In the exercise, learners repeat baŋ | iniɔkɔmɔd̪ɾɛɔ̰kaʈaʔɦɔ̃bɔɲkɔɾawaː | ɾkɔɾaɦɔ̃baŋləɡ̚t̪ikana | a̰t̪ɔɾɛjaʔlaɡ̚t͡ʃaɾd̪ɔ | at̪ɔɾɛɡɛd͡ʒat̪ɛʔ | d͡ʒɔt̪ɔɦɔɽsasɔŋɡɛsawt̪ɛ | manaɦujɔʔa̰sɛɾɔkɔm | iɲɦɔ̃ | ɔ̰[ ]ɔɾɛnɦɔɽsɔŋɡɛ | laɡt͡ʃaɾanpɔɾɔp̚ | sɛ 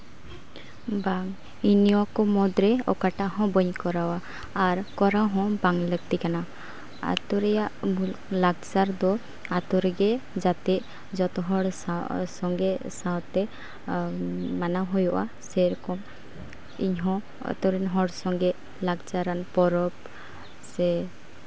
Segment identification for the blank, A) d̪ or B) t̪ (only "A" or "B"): B